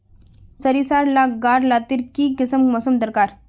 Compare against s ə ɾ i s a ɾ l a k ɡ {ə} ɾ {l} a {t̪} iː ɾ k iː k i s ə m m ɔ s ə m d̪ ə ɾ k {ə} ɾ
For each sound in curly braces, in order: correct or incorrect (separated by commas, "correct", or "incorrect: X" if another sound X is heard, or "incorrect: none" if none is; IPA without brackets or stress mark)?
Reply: incorrect: a, correct, correct, incorrect: a